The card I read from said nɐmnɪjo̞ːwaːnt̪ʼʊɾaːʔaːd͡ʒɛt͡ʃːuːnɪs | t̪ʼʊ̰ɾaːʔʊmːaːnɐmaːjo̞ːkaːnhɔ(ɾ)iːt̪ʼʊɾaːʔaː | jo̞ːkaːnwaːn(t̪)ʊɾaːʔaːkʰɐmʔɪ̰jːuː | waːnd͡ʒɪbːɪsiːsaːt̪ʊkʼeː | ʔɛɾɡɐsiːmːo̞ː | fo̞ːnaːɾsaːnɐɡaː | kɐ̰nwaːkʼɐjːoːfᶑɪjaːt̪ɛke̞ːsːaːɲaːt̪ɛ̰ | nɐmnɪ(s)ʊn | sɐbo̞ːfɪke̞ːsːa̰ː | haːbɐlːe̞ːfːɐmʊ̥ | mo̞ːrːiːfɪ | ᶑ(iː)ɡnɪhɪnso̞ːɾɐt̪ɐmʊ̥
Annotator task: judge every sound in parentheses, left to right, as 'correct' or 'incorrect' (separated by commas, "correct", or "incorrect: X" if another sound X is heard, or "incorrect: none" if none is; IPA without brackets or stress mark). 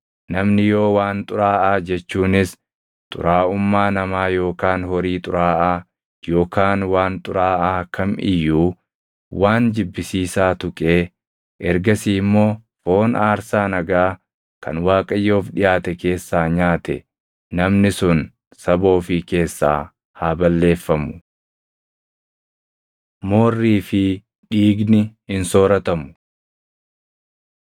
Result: correct, incorrect: t̪ʼ, correct, correct